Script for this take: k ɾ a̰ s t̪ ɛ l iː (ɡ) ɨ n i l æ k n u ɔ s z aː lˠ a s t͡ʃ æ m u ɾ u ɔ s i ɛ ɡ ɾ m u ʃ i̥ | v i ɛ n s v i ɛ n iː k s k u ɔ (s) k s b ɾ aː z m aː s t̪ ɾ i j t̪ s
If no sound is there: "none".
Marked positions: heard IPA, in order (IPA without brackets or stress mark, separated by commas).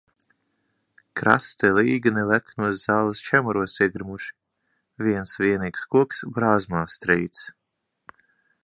ɡ, none